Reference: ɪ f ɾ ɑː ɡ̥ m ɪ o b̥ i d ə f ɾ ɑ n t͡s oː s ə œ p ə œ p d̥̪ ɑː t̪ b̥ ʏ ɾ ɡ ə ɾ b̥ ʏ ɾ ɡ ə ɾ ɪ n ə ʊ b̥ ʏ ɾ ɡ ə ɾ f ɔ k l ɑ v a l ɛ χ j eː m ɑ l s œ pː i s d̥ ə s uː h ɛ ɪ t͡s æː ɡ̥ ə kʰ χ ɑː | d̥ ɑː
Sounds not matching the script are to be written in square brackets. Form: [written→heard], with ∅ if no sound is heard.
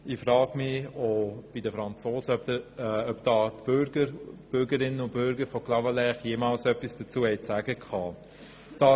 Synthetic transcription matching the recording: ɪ f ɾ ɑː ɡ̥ m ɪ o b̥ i d ə f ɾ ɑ n t͡s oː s ə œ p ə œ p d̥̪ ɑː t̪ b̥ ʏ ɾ ɡ ə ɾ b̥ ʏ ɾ ɡ ə ɾ ɪ n ə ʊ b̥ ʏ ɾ ɡ ə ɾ f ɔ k l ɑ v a l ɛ χ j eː m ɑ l s œ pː i s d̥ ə [s→t͡s] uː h ɛ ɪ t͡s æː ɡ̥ ə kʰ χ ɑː | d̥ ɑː